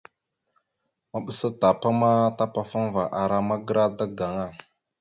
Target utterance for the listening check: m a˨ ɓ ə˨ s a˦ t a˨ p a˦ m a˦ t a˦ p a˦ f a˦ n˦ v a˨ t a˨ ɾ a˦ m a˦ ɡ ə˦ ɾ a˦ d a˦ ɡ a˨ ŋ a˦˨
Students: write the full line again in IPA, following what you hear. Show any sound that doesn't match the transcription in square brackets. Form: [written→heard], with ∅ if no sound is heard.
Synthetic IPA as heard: m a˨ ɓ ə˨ s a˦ t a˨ p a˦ m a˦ t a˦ p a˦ f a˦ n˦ v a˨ [t→ʔ] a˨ ɾ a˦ m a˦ ɡ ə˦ ɾ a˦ d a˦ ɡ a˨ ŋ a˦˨